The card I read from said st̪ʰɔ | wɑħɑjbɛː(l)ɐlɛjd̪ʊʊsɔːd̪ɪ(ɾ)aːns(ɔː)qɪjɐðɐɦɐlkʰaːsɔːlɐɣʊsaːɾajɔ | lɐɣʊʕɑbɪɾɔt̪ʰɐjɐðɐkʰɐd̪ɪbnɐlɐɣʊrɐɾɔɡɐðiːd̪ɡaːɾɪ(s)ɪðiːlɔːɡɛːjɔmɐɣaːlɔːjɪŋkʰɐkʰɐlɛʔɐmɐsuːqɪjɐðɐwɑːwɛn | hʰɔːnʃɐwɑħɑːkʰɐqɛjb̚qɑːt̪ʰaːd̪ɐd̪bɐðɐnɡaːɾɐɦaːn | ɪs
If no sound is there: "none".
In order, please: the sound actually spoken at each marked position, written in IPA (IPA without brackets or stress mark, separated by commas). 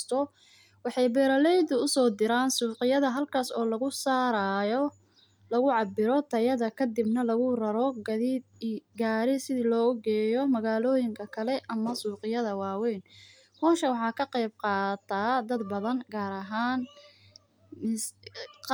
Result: ɾ, ɾ, uː, s